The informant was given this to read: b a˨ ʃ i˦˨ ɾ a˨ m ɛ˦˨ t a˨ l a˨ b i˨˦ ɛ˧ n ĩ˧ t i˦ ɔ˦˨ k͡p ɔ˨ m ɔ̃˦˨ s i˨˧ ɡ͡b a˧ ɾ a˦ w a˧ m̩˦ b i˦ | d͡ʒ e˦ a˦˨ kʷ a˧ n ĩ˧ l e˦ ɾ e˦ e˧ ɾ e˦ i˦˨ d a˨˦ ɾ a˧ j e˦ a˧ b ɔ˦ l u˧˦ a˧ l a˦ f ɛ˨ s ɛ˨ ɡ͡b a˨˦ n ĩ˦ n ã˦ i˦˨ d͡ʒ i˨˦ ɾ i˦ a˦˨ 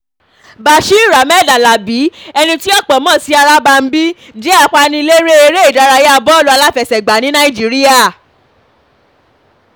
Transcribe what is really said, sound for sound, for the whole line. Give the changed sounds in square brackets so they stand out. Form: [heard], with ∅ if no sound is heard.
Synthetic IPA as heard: b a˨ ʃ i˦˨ ɾ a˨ m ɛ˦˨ [d] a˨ l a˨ b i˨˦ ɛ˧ n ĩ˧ t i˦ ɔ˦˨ k͡p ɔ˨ m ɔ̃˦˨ s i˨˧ [∅] a˧ ɾ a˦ [b] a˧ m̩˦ b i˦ | d͡ʒ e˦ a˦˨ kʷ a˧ n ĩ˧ l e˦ ɾ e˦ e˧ ɾ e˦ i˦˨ d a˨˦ ɾ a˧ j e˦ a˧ b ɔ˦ l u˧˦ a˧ l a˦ f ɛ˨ s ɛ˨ ɡ͡b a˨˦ n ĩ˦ n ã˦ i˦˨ d͡ʒ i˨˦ ɾ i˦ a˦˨